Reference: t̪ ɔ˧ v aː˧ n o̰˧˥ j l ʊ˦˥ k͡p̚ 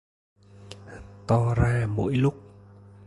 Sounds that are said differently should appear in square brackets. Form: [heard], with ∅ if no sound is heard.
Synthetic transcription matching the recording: t̪ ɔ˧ [z] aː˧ [m] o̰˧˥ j l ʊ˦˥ k͡p̚

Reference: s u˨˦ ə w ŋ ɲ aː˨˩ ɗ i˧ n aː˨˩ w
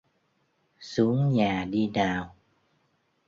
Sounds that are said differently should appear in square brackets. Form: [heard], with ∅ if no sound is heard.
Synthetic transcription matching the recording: s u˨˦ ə [∅] ŋ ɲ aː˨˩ ɗ i˧ n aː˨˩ w

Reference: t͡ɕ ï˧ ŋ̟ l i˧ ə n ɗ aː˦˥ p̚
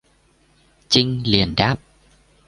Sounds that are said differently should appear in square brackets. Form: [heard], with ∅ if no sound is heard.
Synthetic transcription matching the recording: t͡ɕ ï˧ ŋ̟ l [i˨˩] ə n ɗ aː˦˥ p̚

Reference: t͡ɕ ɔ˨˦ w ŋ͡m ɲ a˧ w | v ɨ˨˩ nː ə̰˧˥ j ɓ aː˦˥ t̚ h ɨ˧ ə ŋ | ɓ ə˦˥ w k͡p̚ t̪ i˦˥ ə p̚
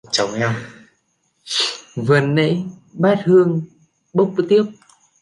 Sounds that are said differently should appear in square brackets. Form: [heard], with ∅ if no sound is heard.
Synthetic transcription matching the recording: t͡ɕ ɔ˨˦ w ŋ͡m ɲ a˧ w | v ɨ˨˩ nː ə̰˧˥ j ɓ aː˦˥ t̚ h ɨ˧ ə ŋ | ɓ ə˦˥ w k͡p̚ t̪ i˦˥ ə p̚

